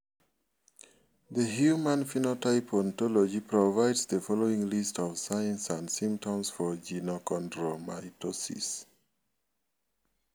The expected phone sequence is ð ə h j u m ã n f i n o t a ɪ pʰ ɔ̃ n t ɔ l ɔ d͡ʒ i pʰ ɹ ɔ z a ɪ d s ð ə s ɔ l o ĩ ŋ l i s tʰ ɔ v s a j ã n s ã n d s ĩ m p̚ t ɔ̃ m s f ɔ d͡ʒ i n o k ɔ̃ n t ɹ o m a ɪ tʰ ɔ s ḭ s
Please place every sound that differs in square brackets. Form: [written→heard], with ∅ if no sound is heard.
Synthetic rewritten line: ð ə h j u m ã n f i n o t a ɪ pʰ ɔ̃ n t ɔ l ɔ d͡ʒ i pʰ ɹ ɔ [z→v] a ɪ d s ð ə [s→f] ɔ l o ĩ ŋ l i s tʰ ɔ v s a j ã n s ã n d s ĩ m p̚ t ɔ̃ m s f ɔ d͡ʒ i n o k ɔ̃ n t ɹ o m a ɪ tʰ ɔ s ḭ s

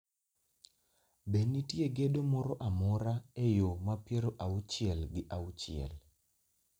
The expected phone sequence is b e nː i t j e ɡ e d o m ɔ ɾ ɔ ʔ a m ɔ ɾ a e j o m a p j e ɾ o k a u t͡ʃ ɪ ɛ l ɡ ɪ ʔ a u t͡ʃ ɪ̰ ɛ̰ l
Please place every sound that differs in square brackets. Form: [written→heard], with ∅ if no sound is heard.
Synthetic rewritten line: b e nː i t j e ɡ e d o m ɔ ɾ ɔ ʔ a m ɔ ɾ a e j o m a p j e ɾ o [k→ʔ] a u t͡ʃ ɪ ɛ l ɡ ɪ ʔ a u t͡ʃ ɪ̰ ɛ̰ l

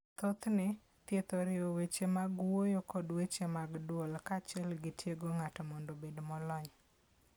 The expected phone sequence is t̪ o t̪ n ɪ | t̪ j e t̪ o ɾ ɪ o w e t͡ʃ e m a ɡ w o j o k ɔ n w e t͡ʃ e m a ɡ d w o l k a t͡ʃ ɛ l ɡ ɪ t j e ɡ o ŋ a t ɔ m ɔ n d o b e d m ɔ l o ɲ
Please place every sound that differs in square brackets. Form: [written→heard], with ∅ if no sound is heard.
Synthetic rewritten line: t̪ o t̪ n ɪ | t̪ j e t̪ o ɾ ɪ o w e t͡ʃ e m a ɡ w o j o k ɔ [n→d] w e t͡ʃ e m a ɡ d w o l k a t͡ʃ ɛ l ɡ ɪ t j e ɡ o ŋ a t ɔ m ɔ n d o b e d m ɔ l [o→ɔ] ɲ

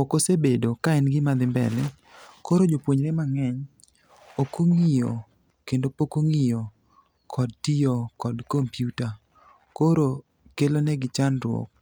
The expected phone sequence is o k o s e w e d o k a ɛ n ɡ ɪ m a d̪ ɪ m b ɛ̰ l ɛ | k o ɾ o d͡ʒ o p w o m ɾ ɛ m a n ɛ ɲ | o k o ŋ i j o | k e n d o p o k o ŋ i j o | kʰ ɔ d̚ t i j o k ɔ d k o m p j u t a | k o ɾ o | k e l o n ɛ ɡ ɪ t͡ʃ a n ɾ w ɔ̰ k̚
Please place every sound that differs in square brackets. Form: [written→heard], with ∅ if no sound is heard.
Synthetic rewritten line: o k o s e [w→b] e d o k a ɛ n ɡ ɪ m a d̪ ɪ m b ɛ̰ l ɛ | k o ɾ o d͡ʒ o p w o [m→ɲ] ɾ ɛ m a [n→ŋ] ɛ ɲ | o k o ŋ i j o | k e n d o p o k o ŋ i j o | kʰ ɔ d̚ t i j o k ɔ d k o m p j u t a | k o ɾ o | k e l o n ɛ ɡ ɪ t͡ʃ a n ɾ w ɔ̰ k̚

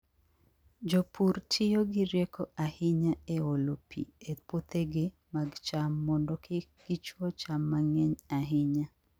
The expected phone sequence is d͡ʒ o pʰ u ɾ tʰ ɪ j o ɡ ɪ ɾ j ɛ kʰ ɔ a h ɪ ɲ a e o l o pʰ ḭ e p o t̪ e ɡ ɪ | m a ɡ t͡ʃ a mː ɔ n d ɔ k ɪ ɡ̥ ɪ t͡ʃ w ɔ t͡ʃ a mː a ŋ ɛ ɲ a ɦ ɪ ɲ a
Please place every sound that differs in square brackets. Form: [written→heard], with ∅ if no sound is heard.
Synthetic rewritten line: d͡ʒ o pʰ u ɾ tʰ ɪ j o ɡ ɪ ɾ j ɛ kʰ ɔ a h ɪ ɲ a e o l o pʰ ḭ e p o t̪ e ɡ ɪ | m a ɡ t͡ʃ a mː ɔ n d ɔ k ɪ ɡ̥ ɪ t͡ʃ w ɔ t͡ʃ a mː a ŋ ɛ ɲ a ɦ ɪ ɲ a

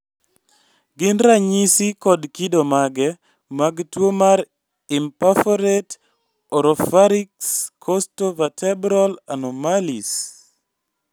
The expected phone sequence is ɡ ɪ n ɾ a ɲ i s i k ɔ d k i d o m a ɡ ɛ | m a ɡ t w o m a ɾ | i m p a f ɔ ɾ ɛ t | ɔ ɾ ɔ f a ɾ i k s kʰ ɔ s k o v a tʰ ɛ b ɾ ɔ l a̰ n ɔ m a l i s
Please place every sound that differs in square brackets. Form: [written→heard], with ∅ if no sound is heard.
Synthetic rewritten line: ɡ ɪ n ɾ a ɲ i s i k ɔ d k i d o m a ɡ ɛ | m a ɡ t w o m a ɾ | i m p a f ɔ ɾ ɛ t | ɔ ɾ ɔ f a ɾ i k s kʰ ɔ s [k→t] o v a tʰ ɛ b ɾ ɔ l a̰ n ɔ m a l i s

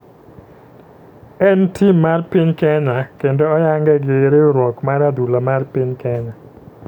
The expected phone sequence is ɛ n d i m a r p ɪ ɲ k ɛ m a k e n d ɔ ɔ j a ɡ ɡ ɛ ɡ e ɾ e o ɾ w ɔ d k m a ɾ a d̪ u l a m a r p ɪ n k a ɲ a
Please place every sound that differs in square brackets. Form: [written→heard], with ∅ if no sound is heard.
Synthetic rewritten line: ɛ n [d→t] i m a r p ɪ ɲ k ɛ [m→ɲ] a k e n d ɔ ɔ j a [ɡ→ŋ] ɡ ɛ ɡ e ɾ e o ɾ w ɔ [d→∅] k m a ɾ a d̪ u l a m a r p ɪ [n→ɲ] k [a→ɛ] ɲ a

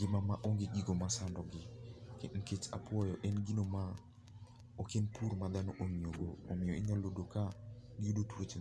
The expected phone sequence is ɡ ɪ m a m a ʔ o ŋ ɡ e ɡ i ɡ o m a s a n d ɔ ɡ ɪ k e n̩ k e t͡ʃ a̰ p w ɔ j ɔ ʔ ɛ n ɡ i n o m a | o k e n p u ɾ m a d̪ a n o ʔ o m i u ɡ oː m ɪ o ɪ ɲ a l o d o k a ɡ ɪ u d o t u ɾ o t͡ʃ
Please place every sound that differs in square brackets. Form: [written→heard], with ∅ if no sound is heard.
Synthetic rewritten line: ɡ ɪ m a m a ʔ o ŋ ɡ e ɡ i ɡ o m a s a n d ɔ ɡ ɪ k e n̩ k e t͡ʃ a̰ p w ɔ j ɔ ʔ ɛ n ɡ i n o m a | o k e n p u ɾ m a d̪ a n o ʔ o m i [u→o] ɡ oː m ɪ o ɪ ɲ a l o d o k a ɡ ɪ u d o t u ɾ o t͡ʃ

